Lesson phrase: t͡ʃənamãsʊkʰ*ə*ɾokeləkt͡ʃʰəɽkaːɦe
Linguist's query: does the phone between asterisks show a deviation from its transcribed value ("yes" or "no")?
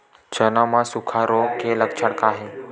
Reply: yes